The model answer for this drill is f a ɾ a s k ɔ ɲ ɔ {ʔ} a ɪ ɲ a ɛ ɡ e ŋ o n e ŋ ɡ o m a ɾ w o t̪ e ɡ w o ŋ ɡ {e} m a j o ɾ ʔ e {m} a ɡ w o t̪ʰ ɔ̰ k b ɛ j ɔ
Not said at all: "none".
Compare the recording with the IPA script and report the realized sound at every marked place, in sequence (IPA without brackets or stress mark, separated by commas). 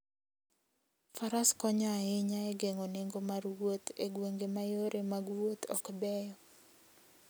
none, e, m